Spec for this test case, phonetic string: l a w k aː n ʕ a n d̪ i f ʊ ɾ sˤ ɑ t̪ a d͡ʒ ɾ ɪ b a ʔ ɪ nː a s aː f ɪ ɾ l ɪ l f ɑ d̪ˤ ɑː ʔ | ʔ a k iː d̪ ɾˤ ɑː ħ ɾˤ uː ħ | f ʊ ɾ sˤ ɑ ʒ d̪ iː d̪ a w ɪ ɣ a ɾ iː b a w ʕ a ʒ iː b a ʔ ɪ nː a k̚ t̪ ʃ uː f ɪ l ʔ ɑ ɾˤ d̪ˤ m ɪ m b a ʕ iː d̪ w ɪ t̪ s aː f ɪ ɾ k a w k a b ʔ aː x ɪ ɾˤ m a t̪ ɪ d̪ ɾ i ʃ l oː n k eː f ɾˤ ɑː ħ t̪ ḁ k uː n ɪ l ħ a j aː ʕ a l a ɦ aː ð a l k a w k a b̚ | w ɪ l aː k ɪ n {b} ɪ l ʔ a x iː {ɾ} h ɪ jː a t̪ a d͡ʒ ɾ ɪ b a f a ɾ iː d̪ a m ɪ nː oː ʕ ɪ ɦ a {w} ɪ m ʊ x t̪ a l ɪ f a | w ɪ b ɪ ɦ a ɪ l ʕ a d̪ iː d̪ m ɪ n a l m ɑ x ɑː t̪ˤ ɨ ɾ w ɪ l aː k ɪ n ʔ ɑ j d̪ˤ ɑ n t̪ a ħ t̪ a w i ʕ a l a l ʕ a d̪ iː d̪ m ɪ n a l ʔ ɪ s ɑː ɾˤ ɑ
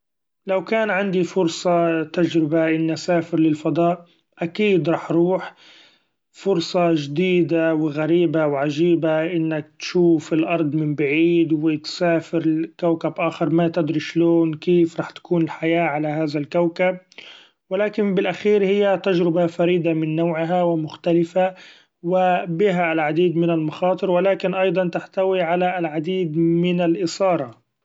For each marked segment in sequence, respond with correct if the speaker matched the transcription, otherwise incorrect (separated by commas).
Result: correct, correct, correct